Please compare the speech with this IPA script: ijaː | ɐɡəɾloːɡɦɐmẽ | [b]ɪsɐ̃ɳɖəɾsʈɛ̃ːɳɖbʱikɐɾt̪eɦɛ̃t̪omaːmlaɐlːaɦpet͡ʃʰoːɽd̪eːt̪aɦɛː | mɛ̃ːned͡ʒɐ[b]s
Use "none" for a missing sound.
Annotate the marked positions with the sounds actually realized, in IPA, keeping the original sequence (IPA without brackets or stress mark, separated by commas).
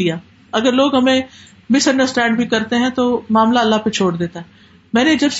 m, b